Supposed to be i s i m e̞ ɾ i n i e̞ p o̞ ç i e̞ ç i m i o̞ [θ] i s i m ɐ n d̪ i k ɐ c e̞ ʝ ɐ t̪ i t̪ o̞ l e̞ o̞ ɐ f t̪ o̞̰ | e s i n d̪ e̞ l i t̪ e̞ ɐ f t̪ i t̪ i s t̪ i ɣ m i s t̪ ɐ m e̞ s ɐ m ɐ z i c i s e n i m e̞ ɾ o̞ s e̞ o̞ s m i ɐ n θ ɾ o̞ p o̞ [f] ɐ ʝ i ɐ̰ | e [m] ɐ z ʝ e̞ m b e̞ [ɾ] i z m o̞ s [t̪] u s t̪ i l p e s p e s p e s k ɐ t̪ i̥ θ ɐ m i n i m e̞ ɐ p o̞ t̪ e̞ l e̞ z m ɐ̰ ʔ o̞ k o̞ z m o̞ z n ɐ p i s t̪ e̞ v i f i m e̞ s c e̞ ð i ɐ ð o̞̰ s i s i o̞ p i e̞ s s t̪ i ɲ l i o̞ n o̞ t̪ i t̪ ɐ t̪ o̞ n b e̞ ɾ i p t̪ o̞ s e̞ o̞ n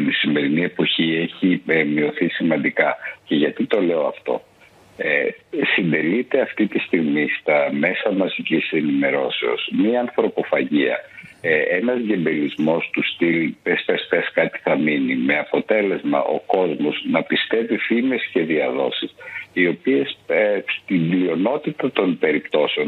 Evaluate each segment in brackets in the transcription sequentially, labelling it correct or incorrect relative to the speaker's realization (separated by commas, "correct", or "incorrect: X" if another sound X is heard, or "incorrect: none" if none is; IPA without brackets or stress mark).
correct, correct, incorrect: n, incorrect: l, correct